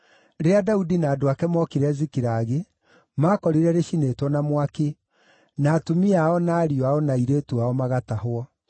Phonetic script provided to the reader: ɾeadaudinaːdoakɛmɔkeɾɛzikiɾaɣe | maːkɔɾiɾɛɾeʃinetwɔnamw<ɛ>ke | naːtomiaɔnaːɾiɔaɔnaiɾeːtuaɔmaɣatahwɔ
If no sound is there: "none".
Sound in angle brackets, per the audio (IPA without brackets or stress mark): a